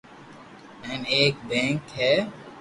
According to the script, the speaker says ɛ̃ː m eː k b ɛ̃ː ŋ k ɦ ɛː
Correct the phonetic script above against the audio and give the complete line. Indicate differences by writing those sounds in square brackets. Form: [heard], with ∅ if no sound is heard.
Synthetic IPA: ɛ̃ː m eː k b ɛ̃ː ŋ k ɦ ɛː